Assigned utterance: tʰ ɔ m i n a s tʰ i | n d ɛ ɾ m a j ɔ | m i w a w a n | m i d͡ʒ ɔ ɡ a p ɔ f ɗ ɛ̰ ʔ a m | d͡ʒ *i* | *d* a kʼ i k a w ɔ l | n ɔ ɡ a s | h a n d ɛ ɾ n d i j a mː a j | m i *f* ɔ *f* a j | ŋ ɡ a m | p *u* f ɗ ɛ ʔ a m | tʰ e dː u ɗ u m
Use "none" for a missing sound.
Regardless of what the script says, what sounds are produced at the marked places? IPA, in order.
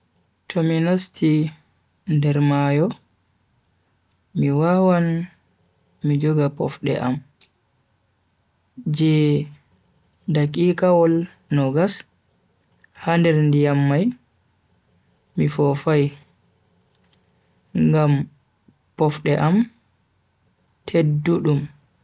ɛ, d, f, f, ɔ

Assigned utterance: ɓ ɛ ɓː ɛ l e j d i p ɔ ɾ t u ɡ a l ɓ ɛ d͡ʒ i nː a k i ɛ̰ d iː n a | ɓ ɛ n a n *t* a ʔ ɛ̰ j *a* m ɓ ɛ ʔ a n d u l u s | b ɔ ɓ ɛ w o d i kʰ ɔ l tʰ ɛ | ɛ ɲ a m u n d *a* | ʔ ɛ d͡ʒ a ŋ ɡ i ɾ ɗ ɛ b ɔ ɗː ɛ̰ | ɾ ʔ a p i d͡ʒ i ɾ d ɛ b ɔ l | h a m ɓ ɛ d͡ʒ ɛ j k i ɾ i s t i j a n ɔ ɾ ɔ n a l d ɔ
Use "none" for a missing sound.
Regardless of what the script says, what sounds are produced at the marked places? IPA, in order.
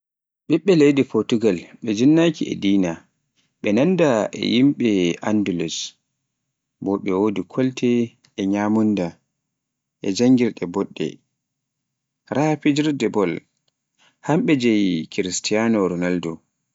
d, i, a

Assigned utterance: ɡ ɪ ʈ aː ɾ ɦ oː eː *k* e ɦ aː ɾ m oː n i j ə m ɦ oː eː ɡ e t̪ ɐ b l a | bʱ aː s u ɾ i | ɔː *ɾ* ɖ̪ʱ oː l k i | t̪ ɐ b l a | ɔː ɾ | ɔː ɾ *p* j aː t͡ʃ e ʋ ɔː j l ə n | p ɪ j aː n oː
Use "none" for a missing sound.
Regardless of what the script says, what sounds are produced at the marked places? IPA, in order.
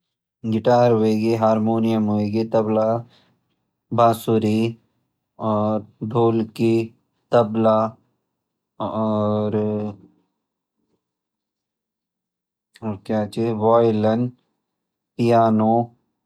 ɡ, ɾ, k

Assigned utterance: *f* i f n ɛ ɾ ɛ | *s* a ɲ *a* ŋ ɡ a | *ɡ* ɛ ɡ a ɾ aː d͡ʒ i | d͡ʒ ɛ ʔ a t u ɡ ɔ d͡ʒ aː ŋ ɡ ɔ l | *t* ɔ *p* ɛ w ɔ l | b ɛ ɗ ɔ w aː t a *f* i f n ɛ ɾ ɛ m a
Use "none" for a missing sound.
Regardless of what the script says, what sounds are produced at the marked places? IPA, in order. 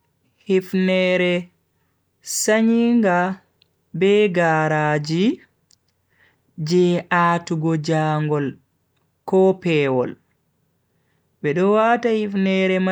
h, s, i, b, k, p, h

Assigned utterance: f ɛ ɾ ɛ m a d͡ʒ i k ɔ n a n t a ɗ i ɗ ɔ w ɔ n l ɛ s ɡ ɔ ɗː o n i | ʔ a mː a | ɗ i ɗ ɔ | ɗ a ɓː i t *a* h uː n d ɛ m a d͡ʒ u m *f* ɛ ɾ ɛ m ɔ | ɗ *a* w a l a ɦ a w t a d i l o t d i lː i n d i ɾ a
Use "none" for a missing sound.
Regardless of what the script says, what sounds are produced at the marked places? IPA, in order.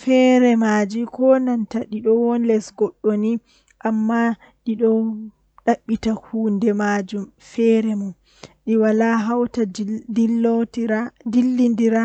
a, f, i

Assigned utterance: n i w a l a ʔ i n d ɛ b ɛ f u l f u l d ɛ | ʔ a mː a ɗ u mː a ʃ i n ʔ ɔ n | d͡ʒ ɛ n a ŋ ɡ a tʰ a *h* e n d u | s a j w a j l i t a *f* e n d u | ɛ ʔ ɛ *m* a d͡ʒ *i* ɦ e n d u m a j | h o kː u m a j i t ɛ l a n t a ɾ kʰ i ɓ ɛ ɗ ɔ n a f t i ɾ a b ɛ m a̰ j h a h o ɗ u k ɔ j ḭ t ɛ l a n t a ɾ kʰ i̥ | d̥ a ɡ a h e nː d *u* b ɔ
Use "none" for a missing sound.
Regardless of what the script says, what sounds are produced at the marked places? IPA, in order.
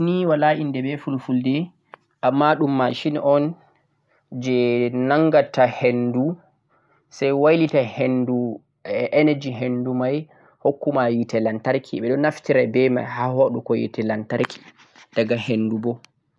h, h, n, i, u

